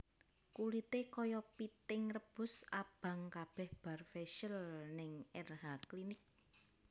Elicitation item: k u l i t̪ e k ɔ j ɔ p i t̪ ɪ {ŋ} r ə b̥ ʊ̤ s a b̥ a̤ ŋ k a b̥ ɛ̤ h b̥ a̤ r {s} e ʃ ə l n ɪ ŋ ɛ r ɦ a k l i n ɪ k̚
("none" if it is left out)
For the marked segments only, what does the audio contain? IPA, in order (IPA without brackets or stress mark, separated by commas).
ŋ, f